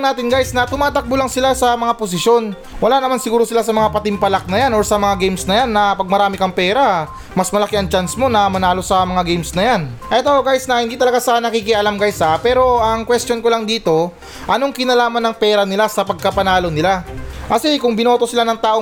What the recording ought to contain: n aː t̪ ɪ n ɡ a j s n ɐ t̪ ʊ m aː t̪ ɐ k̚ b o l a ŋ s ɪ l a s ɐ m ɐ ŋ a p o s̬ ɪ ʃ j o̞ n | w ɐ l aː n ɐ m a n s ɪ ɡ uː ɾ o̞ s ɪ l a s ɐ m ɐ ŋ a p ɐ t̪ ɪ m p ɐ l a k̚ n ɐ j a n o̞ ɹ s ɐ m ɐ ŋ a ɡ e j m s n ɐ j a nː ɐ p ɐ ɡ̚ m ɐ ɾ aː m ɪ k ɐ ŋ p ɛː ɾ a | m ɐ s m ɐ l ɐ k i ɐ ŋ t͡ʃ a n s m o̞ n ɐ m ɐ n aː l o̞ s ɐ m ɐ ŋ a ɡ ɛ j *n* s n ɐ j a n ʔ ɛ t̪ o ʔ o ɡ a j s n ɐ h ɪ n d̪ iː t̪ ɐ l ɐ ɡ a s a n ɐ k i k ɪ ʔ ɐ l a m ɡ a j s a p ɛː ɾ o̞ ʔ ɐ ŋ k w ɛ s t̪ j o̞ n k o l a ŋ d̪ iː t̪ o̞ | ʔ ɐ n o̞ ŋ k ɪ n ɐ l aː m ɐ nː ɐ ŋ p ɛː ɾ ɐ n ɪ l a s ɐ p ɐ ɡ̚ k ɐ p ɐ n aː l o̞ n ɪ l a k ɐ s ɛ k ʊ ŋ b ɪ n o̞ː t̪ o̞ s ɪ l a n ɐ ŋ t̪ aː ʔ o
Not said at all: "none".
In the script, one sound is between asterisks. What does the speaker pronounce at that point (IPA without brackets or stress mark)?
m